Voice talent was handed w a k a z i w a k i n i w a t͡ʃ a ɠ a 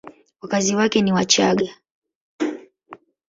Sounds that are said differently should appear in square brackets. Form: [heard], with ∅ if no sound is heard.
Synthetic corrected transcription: w a k a z i w a k [ɛ] n i w a t͡ʃ a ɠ a